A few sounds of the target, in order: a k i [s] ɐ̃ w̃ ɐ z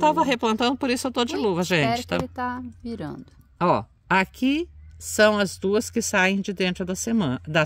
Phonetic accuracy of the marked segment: correct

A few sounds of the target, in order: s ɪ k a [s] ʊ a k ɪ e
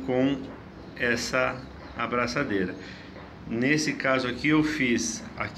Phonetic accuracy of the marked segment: incorrect: z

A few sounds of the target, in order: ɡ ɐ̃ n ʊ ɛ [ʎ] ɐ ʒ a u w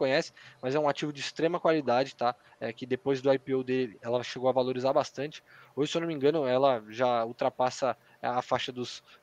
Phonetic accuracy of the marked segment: incorrect: l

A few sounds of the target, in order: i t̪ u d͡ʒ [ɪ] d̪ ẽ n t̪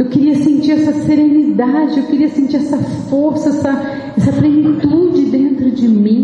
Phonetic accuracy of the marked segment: correct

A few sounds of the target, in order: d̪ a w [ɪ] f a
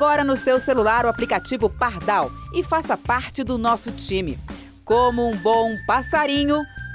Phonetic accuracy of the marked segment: correct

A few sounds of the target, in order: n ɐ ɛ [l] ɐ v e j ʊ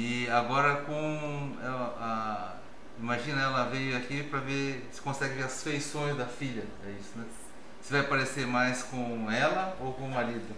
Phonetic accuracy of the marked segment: correct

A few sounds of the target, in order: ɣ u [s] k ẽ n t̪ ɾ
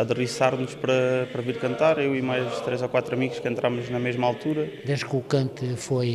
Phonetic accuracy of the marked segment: incorrect: ʃ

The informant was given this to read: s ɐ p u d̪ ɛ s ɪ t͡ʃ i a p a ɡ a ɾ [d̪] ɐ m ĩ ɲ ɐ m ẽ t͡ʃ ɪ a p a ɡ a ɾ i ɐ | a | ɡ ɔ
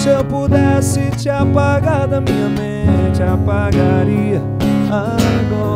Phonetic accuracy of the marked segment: correct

